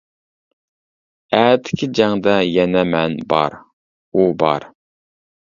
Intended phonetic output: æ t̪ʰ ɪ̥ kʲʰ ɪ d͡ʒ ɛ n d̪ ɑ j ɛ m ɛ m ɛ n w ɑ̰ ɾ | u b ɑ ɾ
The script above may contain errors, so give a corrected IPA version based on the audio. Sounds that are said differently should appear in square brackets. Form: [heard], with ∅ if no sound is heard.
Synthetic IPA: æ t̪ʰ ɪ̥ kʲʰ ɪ d͡ʒ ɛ [ŋ] d̪ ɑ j ɛ [n] ɛ m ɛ n [b] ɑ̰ ɾ | u b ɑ ɾ